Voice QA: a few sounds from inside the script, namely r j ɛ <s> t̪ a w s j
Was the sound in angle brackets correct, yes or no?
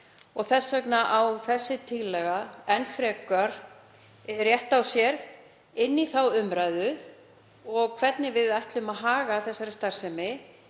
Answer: no